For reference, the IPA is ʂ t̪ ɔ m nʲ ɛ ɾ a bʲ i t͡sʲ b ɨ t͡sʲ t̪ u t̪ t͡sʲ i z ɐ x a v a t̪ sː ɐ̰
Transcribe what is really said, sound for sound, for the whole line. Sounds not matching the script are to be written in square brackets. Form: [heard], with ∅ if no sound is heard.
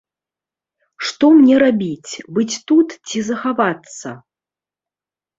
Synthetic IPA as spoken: ʂ t̪ ɔ m nʲ ɛ ɾ a bʲ i t͡sʲ b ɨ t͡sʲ t̪ u t̪ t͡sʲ i z ɐ x a v a t̪ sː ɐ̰